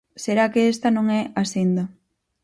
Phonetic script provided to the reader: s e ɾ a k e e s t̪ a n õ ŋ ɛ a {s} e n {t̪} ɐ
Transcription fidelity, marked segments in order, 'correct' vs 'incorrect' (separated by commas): correct, incorrect